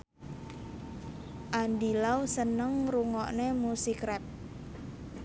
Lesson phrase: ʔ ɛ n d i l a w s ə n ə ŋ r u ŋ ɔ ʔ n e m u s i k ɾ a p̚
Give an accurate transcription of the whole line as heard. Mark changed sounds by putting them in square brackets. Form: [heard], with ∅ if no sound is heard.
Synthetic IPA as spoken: ʔ [a] n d i l a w s ə n ə ŋ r u ŋ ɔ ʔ n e m u s i k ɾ [ɛ] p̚